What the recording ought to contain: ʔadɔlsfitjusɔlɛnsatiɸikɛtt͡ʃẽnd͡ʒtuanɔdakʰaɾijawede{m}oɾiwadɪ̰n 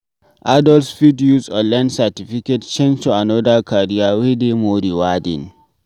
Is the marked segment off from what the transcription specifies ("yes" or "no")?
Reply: no